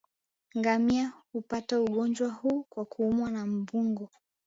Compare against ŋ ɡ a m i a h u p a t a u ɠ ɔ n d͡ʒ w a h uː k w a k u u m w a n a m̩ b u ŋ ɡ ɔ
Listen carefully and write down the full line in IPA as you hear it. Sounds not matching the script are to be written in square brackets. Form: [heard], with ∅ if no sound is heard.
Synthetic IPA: ŋ ɡ a m i a h u p a t a u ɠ ɔ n d͡ʒ w a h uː k w a k u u m w a n a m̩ b u ŋ ɡ ɔ